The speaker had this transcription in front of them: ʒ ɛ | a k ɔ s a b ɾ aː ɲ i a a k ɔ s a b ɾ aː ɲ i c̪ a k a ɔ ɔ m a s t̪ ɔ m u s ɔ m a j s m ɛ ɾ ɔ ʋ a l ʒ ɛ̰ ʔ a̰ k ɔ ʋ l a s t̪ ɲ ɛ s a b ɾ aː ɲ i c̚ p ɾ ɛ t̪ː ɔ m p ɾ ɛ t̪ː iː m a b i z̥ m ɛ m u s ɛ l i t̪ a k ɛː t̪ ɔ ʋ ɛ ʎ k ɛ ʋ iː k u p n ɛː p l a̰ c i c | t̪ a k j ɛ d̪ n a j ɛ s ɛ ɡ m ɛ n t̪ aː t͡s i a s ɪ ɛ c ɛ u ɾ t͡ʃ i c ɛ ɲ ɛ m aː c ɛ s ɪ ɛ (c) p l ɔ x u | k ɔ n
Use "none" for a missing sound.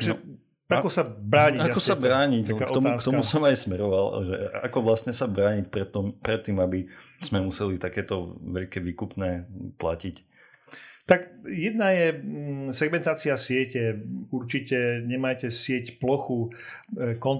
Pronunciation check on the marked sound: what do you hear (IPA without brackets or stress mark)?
c